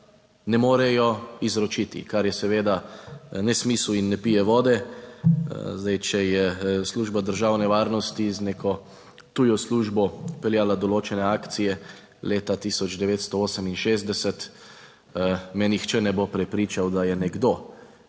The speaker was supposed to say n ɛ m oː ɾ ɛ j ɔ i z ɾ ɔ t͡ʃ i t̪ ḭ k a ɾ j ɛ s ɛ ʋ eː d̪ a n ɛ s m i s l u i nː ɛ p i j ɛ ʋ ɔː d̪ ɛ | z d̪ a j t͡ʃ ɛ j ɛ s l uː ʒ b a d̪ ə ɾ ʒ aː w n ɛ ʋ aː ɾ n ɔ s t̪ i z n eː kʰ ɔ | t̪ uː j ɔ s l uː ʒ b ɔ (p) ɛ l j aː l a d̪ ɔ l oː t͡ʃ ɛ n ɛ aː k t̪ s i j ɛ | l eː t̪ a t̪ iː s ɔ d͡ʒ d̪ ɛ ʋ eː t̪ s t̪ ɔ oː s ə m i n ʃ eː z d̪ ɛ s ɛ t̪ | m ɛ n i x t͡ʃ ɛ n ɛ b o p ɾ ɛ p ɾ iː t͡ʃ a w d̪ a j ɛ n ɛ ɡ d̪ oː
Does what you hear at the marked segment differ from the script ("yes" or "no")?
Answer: no